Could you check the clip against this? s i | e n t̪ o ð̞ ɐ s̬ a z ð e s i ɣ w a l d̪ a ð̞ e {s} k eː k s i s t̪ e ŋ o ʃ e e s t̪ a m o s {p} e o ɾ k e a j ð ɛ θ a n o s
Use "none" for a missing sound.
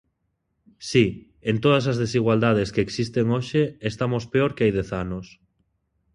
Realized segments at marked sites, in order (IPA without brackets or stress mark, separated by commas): s, p